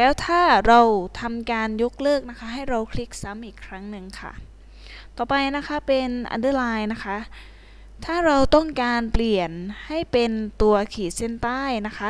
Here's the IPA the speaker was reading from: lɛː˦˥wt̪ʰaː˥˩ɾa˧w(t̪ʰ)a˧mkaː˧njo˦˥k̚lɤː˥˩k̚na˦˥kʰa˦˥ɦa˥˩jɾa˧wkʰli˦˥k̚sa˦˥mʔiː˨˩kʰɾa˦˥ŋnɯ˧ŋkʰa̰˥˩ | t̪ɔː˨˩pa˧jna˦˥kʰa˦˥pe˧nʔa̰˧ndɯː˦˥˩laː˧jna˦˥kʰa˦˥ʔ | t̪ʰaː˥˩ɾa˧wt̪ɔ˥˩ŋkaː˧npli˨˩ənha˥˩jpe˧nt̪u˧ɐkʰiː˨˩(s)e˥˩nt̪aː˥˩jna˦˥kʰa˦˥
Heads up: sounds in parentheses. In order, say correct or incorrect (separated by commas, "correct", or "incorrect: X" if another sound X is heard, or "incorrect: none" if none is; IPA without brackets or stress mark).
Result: correct, correct